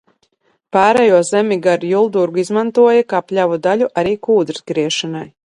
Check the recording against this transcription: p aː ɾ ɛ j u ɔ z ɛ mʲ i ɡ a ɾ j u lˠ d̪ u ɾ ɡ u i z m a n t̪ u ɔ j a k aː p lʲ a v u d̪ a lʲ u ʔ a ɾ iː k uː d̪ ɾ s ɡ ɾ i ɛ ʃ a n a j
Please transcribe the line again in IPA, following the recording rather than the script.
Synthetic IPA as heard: p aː ɾ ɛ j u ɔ z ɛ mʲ i ɡ a ɾ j u lˠ d̪ u ɾ ɡ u i z m a n t̪ u ɔ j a k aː p lʲ a v u d̪ a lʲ u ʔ a ɾ iː k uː d̪ ɾ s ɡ ɾ i ɛ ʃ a n a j

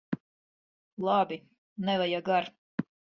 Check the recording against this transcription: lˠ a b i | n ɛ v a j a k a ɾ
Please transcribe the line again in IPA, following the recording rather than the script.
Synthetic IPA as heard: lˠ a b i | n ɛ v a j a ɡ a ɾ

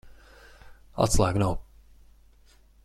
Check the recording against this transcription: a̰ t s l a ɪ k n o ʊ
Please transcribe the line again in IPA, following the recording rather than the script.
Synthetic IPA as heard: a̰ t s l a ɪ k n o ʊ

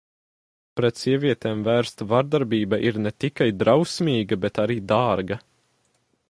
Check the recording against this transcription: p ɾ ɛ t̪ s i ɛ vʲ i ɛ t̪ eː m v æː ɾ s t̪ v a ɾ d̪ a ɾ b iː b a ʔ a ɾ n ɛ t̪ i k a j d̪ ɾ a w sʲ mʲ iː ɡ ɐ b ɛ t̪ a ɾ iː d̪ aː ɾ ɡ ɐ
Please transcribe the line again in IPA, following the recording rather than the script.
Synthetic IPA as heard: p ɾ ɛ t̪ s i ɛ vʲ i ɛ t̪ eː m v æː ɾ s t̪ v a ɾ d̪ a ɾ b iː b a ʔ i ɾ n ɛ t̪ i k a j d̪ ɾ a w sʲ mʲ iː ɡ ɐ b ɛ t̪ a ɾ iː d̪ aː ɾ ɡ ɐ

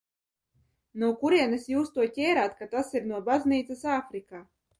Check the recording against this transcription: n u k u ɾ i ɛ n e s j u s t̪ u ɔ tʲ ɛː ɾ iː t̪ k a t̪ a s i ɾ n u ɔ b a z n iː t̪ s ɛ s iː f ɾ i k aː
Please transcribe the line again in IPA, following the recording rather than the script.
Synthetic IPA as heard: n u k u ɾ i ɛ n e s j uː s t̪ u ɔ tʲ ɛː ɾ aː t̪ k a t̪ a s i ɾ n u ɔ b a z n iː t̪ s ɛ s aː f ɾ i k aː

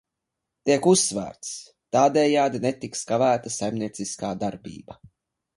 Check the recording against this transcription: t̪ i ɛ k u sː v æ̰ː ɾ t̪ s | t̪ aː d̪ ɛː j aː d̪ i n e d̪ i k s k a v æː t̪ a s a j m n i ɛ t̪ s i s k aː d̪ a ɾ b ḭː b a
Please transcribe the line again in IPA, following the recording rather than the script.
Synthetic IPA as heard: t̪ i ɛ k u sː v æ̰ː ɾ t̪ s | t̪ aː d̪ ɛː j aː d̪ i n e t̪ i k s k a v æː t̪ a s a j m n i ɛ t̪ s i s k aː d̪ a ɾ b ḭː b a

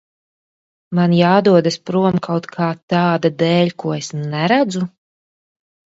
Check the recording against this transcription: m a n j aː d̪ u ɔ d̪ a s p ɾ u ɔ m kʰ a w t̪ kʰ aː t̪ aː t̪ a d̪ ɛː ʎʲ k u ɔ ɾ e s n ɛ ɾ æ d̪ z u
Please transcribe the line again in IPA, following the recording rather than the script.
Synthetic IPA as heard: m a n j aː d̪ u ɔ d̪ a s p ɾ u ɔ m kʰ a w t̪ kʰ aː t̪ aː d̪ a d̪ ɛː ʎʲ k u ɔ e s n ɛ ɾ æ d̪ z u

